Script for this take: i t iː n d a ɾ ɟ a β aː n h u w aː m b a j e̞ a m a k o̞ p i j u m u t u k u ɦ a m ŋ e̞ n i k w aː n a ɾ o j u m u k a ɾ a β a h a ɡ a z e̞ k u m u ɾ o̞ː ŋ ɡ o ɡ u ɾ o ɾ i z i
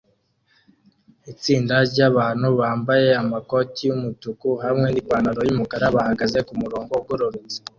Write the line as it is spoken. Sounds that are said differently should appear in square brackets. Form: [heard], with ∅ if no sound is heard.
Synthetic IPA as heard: i [t͡s] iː n d a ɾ ɟ a β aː n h u [β] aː m b a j e̞ a m a k o̞ [t] i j u m u t u k u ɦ a m ŋ e̞ n i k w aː n a ɾ o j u m u k a ɾ a β a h a ɡ a z e̞ k u m u ɾ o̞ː ŋ ɡ o ɡ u ɾ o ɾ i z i